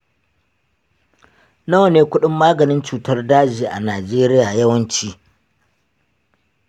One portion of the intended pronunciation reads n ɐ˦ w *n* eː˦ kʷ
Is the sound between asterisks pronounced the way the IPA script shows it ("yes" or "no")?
yes